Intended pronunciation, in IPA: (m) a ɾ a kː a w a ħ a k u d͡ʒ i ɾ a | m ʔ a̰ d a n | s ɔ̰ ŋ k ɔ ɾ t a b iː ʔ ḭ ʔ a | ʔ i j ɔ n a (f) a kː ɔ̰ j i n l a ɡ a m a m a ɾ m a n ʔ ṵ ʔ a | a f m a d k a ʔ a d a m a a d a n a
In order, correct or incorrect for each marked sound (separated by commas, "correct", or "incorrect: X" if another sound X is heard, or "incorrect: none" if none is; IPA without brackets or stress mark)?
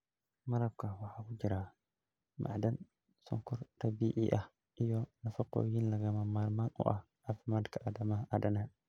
correct, correct